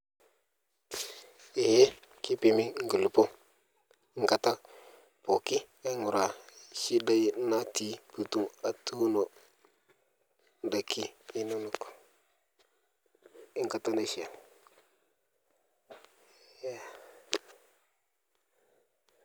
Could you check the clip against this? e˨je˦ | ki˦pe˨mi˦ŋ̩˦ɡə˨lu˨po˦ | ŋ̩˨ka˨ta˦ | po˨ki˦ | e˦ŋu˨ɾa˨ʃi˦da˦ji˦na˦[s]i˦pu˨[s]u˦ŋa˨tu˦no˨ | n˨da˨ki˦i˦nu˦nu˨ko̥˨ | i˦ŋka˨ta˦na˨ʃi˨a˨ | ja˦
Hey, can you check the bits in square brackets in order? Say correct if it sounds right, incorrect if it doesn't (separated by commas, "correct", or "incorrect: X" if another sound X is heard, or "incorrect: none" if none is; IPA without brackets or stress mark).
incorrect: t, incorrect: t